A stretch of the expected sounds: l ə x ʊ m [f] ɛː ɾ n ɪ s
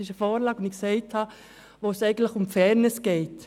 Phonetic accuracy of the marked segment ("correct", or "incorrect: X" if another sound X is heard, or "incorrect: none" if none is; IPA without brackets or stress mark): correct